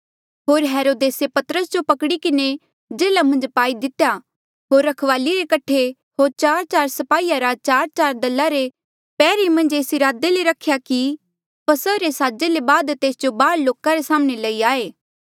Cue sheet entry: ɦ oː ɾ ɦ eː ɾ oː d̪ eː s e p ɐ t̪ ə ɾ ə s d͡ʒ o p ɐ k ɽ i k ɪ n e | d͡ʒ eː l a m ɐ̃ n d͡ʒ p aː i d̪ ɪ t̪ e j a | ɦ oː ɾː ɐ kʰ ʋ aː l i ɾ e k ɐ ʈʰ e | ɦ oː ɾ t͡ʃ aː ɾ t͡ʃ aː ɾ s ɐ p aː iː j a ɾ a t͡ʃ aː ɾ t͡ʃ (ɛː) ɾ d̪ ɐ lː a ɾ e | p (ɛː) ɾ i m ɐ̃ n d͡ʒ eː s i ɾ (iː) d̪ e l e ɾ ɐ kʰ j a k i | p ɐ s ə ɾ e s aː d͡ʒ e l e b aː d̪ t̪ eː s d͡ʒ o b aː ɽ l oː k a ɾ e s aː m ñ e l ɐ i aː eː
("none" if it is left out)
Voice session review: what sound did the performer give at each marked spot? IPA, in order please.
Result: aː, ɛː, aː

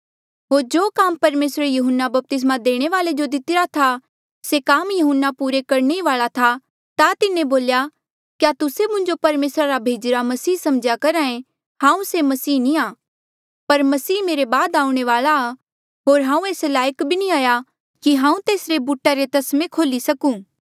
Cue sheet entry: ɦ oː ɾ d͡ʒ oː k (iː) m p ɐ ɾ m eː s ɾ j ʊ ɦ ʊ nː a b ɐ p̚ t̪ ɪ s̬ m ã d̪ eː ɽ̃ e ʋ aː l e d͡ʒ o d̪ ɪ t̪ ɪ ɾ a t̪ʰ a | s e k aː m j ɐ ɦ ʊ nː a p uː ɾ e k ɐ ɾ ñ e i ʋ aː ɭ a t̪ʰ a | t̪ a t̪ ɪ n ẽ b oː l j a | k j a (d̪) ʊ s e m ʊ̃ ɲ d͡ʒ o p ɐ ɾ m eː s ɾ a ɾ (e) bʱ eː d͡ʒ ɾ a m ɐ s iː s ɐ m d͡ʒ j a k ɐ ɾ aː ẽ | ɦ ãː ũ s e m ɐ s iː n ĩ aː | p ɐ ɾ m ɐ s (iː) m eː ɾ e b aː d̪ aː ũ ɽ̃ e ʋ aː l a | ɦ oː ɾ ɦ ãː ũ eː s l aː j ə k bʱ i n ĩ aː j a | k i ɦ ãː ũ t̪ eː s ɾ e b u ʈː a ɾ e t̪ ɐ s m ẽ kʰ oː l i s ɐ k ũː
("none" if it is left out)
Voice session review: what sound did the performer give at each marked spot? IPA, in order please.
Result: aː, t̪, a, iː

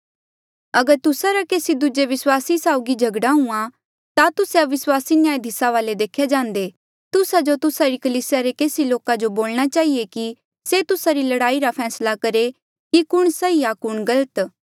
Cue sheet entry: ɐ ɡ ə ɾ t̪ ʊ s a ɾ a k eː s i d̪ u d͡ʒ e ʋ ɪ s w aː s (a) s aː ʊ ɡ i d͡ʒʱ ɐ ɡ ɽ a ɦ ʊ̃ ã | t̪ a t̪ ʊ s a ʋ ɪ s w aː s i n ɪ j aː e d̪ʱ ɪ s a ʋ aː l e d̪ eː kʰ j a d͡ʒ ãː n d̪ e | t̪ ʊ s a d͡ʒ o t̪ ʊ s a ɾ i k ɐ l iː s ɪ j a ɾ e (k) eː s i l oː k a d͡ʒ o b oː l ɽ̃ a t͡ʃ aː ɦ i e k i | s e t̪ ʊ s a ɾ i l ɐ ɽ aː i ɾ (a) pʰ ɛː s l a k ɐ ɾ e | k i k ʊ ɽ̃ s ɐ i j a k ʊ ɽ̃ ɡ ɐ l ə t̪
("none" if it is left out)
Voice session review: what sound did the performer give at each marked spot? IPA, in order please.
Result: i, k, a

